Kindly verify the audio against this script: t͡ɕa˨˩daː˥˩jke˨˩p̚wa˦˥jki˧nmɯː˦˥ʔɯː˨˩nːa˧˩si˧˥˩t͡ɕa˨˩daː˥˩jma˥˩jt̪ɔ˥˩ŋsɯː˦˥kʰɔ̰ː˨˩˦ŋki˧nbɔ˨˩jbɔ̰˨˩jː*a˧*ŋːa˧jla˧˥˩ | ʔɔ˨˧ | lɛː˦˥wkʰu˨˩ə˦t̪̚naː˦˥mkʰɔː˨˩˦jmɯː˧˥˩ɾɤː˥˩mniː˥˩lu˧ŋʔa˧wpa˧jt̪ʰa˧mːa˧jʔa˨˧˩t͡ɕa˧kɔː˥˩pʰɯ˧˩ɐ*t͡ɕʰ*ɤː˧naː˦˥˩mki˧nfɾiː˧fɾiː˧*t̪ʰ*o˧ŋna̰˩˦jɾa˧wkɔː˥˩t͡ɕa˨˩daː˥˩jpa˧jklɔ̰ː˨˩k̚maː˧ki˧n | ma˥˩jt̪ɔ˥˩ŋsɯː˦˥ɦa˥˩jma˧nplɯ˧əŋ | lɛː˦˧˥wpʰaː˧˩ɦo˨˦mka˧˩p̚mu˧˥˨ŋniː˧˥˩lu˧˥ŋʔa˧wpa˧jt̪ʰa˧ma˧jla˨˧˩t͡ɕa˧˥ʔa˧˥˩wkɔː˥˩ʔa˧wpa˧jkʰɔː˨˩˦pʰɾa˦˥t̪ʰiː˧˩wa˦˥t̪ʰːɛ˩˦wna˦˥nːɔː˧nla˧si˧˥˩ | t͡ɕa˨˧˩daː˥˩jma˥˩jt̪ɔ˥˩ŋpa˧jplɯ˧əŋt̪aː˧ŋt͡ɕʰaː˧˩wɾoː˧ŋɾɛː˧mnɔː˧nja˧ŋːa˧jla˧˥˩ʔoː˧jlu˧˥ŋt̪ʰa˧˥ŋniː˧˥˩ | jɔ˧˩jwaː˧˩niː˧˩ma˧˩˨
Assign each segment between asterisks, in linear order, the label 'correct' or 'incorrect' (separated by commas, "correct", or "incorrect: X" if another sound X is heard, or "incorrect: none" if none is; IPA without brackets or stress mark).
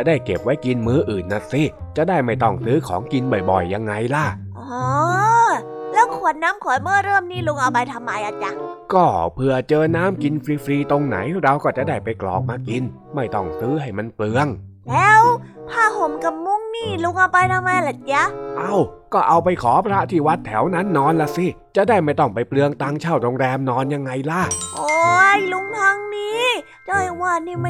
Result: correct, incorrect: t͡ɕ, incorrect: t̪